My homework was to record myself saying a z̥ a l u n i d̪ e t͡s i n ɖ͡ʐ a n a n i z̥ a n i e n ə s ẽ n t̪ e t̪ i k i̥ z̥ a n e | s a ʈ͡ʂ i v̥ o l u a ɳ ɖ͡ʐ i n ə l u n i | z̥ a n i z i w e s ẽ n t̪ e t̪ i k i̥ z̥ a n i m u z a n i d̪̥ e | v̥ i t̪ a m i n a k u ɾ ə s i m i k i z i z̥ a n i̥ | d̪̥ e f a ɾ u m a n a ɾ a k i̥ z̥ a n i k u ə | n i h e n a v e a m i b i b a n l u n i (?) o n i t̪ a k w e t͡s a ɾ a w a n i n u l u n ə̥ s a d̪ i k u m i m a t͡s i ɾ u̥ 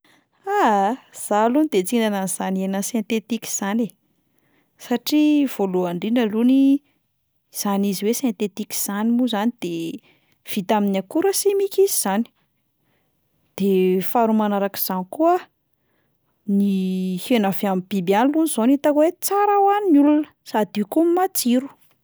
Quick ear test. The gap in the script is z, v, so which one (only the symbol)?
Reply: z